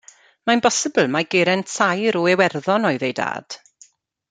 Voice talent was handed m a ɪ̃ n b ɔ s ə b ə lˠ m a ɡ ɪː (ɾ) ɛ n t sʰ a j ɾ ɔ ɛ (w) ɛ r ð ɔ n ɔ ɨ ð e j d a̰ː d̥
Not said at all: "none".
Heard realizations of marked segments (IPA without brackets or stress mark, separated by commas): ɾ, w